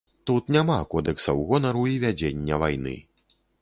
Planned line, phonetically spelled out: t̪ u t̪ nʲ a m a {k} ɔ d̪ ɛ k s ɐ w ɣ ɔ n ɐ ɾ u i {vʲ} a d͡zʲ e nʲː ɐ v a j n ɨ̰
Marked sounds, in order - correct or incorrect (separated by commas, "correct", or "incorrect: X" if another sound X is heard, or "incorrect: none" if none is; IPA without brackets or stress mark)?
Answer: correct, correct